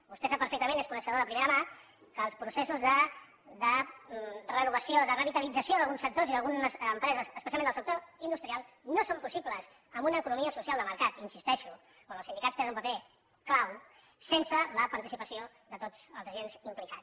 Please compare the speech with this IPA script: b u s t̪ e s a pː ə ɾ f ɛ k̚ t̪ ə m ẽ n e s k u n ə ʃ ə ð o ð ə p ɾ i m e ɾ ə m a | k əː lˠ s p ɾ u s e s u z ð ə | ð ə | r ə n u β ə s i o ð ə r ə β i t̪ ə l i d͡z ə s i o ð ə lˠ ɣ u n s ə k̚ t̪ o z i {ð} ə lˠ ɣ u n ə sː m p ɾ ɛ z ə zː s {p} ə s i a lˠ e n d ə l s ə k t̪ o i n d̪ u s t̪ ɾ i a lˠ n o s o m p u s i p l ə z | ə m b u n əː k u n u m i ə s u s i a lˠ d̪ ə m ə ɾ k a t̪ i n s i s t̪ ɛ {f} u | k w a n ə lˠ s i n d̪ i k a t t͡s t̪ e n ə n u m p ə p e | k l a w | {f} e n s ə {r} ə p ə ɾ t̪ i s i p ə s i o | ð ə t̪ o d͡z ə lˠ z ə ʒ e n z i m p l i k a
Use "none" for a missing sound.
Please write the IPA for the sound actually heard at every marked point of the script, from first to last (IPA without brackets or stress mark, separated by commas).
ð, p, ʃ, s, l